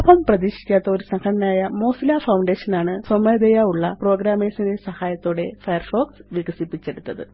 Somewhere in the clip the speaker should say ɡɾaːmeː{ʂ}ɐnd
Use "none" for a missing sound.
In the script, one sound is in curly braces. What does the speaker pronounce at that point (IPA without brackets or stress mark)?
s